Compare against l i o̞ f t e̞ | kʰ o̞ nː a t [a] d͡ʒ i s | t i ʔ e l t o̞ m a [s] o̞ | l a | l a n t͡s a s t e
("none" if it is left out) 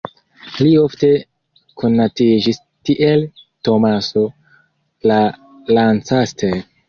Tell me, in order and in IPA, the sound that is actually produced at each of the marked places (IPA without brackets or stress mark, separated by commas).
i, s